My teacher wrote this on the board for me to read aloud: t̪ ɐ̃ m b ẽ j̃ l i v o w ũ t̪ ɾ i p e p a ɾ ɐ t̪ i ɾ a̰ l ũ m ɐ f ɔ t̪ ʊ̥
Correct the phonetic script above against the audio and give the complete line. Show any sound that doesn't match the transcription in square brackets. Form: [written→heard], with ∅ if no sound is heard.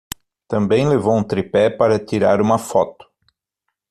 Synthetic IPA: t̪ ɐ̃ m b ẽ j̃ l [i→e] v o w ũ t̪ ɾ i p [e→ɛ] p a ɾ ɐ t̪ i ɾ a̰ [l→ɾ] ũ m ɐ f ɔ t̪ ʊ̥